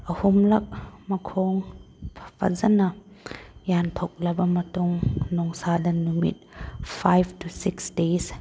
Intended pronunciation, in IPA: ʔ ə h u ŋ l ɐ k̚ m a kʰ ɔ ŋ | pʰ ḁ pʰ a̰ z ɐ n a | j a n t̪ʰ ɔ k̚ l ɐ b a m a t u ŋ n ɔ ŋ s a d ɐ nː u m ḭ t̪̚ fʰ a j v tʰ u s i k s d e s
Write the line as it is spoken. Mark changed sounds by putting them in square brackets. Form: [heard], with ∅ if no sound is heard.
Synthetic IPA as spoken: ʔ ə h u [m] l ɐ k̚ m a kʰ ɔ ŋ | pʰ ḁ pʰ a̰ z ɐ n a | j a n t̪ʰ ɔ k̚ l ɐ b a m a t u ŋ n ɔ ŋ s a d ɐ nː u m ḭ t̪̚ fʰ a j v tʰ u s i k s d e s

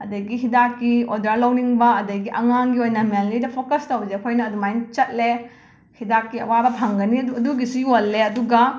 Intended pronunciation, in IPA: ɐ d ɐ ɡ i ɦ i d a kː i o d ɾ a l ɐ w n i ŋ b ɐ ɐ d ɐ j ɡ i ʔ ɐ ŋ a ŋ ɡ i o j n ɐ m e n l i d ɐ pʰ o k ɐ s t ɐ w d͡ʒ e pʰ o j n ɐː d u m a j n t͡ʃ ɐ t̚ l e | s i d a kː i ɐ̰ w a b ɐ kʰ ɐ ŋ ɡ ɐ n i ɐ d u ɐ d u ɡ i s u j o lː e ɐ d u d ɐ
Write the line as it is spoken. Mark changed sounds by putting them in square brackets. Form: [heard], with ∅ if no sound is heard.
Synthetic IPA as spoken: ɐ d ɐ ɡ i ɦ i d a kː i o d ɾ a l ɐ w n i ŋ b ɐ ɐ d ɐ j ɡ i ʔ ɐ ŋ a ŋ ɡ i o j n ɐ m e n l i d ɐ pʰ o k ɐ s t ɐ w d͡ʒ e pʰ o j n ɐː d u m a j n t͡ʃ ɐ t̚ l e | [h] i d a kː i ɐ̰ w a b ɐ [pʰ] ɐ ŋ ɡ ɐ n i ɐ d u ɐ d u ɡ i s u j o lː e ɐ d u [ɡ] ɐ

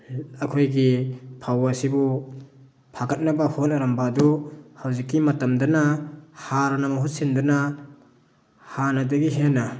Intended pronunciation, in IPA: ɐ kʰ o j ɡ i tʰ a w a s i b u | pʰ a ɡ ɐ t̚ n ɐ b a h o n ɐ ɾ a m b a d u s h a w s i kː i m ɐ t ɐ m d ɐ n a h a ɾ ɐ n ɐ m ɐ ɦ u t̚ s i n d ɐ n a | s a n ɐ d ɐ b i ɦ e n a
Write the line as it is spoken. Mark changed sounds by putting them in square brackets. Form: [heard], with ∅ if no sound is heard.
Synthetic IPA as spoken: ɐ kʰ o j ɡ i [pʰ] a w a s i b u | pʰ a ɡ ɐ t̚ n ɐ b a h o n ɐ ɾ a m b a d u [∅] h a w [z] i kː i m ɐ t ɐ m d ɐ n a h a ɾ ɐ n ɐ m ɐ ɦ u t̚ s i n d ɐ n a | [h] a n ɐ d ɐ [ɡ] i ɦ e n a

